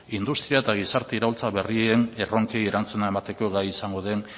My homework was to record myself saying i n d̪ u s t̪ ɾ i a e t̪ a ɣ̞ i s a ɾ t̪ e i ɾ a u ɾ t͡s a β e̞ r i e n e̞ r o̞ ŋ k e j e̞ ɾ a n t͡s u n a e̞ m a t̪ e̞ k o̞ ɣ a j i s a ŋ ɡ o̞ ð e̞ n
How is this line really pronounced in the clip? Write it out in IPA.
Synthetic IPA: i n d̪ u s t̪ ɾ i a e t̪ a ɣ̞ i s a ɾ t̪ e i ɾ a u l t͡s a β e̞ r i e n e̞ r o̞ ŋ k e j e̞ ɾ a n t͡s u n a e̞ m a t̪ e̞ k o̞ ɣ a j i s a ŋ ɡ o̞ ð e̞ n